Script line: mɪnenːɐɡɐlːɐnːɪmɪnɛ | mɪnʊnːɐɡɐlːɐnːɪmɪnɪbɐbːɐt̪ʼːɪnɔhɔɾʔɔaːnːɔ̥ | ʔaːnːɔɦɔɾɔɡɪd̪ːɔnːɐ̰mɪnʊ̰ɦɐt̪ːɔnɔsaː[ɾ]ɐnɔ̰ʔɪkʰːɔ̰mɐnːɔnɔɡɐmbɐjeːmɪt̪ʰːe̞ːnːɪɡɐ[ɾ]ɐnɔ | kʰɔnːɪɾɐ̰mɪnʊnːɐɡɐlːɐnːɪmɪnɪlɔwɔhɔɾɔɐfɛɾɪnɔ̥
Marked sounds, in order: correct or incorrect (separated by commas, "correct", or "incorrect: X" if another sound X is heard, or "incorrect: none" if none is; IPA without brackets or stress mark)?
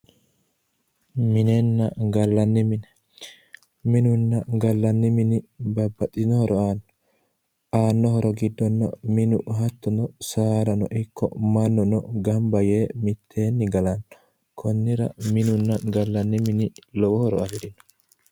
correct, incorrect: l